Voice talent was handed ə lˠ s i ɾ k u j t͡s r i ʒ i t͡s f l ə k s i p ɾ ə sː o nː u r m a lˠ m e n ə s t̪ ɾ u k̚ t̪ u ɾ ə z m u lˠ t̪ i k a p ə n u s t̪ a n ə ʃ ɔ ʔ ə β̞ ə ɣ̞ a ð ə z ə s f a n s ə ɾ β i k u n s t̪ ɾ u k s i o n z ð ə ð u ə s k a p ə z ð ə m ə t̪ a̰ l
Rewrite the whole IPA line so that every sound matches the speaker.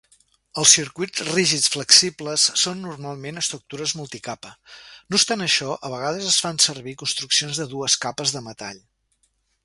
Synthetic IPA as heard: ə lˠ s i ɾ k u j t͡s r i ʒ i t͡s f l ə k s i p l ə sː o nː u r m a lˠ m e n ə s t̪ ɾ u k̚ t̪ u ɾ ə z m u lˠ t̪ i k a p ə n u s t̪ a n ə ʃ ɔ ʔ ə β̞ ə ɣ̞ a ð ə z ə s f a n s ə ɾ β i k u n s t̪ ɾ u k s i o n z ð ə ð u ə s k a p ə z ð ə m ə t̪ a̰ ʎ